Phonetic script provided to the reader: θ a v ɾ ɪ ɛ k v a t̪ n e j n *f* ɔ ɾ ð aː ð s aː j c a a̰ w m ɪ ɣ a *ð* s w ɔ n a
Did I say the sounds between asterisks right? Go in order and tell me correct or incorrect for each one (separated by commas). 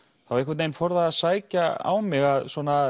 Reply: correct, correct